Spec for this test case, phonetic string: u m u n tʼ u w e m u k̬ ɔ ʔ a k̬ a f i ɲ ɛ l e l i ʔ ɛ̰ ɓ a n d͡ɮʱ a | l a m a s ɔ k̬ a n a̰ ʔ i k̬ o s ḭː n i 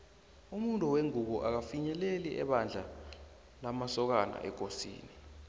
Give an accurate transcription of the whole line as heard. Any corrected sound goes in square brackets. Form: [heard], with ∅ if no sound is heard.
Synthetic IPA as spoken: u m u n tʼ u w e [ŋ] u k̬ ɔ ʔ a k̬ a f i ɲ ɛ l e l i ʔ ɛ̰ ɓ a n d͡ɮʱ a | l a m a s ɔ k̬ a n a̰ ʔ [ɛ] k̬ o s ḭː n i

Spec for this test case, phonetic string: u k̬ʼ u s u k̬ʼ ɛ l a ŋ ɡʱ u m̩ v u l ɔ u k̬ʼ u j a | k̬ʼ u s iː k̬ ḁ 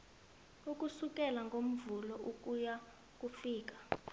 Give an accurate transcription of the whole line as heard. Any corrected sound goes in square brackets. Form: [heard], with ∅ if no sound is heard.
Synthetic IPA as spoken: u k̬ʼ u s u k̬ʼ ɛ l a ŋ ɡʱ [o] m̩ v u l ɔ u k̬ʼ u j a | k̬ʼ u [f] iː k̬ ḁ

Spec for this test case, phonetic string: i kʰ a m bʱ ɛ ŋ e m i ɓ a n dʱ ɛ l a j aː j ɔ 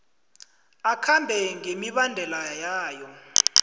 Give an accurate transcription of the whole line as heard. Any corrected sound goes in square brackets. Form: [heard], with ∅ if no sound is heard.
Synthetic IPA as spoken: [a] kʰ a m bʱ ɛ ŋ e m i ɓ a n dʱ ɛ l a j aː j ɔ

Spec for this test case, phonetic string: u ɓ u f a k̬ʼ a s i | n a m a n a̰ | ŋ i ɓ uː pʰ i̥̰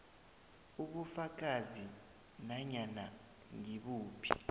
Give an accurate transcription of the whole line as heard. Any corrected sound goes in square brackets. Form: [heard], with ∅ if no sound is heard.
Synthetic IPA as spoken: u ɓ u f a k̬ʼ a [z] i | n a [ɲ] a n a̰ | ŋ i ɓ uː pʰ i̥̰

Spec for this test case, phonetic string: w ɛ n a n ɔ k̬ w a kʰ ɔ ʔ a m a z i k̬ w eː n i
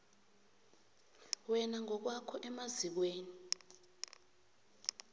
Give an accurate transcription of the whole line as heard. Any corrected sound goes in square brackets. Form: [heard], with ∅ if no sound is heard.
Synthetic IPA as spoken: w ɛ n a [ŋ] ɔ k̬ w a kʰ ɔ ʔ [ɛ] m a z i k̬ w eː n i

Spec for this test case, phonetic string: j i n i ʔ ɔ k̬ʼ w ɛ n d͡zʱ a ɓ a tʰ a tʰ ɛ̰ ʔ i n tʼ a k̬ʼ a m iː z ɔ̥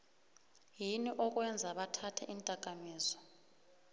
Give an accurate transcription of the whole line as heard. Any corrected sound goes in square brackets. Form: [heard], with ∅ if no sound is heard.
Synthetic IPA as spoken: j i n i ʔ ɔ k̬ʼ w ɛ n d͡zʱ a ɓ a tʰ a tʰ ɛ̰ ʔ i n tʼ a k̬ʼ a m iː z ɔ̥

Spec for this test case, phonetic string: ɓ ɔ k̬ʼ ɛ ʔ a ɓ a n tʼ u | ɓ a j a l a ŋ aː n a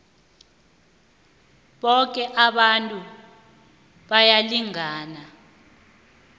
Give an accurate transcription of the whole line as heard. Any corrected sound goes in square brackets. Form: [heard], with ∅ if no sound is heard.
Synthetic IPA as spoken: ɓ ɔ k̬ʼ ɛ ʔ a ɓ a n tʼ u | ɓ a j a l [i] ŋ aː n a

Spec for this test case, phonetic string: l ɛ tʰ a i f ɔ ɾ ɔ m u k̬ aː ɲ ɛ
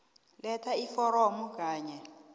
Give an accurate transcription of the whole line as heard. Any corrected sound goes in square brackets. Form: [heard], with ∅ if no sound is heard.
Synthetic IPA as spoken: l ɛ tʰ a i f ɔ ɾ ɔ m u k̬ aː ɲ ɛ

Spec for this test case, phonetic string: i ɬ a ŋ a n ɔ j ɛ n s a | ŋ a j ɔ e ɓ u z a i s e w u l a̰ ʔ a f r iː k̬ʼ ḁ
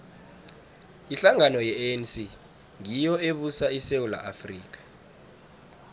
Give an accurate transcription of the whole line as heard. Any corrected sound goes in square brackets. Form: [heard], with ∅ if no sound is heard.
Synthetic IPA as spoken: i ɬ a ŋ a n ɔ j ɛ n s [i] | ŋ [i] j ɔ e ɓ u [s] a i s e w u l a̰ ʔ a f r iː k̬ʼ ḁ

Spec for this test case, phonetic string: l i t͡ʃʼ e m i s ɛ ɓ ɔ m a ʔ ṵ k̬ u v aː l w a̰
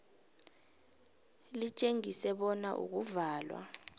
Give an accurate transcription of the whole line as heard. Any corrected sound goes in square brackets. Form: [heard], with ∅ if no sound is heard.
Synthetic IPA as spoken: l i t͡ʃʼ e [ŋ] i s ɛ ɓ ɔ [n] a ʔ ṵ k̬ u v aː l w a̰

